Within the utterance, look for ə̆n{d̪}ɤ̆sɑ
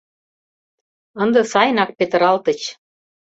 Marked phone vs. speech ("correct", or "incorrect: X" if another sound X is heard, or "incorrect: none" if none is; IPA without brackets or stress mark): correct